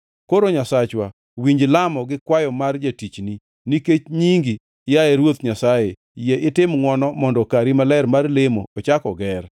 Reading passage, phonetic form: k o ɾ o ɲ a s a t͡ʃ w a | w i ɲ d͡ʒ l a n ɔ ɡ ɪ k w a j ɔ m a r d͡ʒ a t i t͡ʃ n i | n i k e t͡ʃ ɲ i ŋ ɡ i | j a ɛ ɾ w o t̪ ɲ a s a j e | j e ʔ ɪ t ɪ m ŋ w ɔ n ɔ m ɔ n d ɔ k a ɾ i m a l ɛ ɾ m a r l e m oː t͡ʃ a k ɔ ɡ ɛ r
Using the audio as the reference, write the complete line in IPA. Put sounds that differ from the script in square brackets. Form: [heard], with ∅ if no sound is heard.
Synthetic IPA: k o ɾ o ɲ a s a t͡ʃ w a | w i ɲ d͡ʒ l a [m] ɔ ɡ ɪ k w a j ɔ m a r d͡ʒ a t i t͡ʃ n i | n i k e t͡ʃ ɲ i ŋ ɡ i | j a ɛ ɾ w o t̪ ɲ a s a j e | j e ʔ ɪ t ɪ m ŋ w ɔ n ɔ m ɔ n d ɔ k a ɾ i m a l ɛ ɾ m a r l e m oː t͡ʃ a k ɔ ɡ ɛ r